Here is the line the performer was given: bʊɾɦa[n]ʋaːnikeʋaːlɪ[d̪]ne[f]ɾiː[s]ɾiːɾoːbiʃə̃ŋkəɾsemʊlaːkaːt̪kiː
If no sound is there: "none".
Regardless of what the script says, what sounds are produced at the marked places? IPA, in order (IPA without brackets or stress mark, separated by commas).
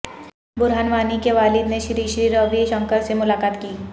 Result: n, d̪, ʃ, ʃ